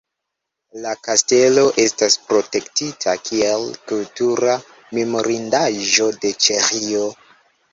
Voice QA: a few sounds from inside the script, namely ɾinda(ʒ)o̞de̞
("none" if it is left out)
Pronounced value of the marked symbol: ʒ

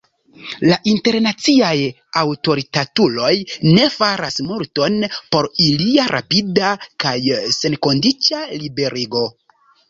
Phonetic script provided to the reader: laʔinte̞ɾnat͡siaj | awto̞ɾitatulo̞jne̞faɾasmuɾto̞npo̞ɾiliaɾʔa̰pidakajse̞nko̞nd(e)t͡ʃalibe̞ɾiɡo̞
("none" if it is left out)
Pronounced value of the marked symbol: i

